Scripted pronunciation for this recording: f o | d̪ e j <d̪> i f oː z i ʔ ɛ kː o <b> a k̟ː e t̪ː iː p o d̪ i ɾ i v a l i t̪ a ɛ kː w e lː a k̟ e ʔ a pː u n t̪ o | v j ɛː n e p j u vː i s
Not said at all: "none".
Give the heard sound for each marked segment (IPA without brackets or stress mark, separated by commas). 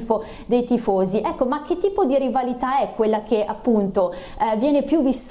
t̪, m